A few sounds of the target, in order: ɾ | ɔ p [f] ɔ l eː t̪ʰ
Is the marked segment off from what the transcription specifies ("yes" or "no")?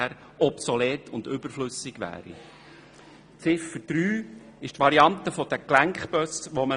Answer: yes